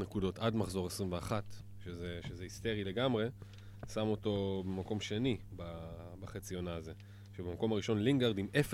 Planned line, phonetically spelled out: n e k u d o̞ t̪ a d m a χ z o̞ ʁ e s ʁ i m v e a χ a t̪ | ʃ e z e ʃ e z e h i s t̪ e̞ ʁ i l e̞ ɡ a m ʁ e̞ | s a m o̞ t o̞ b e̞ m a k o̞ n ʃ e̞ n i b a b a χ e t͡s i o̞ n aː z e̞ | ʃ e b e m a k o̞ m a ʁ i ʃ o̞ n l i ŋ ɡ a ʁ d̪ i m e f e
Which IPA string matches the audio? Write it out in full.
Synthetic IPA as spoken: n e k u d o̞ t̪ a d m a χ z o̞ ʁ e s ʁ i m v e a χ a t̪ | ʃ e z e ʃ e z e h i s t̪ e̞ ʁ i l e̞ ɡ a m ʁ e̞ | s a m o̞ t o̞ b e̞ m a k o̞ m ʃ e̞ n i b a b a χ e t͡s i o̞ n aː z e̞ | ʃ e b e m a k o̞ m a ʁ i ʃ o̞ n l i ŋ ɡ a ʁ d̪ i m e f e